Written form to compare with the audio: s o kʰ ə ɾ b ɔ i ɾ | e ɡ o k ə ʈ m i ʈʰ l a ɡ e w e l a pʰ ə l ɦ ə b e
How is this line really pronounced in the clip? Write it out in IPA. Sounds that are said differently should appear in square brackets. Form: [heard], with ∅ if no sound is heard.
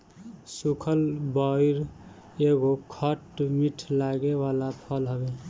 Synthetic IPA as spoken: s [u] kʰ ə [l] b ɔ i ɾ | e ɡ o [kʰ] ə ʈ m i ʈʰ l a ɡ e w [a] l a pʰ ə l ɦ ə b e